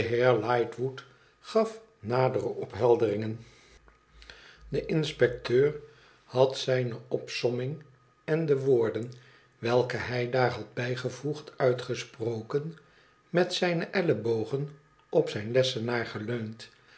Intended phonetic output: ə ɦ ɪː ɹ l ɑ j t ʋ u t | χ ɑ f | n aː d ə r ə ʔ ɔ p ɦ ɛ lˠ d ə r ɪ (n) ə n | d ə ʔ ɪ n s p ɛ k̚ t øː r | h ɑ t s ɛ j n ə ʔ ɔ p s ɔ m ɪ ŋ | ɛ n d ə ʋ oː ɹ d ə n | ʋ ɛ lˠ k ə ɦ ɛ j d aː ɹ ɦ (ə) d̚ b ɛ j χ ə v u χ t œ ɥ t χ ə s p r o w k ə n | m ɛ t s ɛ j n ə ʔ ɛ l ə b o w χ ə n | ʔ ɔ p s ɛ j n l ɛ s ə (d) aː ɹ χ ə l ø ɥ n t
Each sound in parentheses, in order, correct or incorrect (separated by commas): incorrect, incorrect, incorrect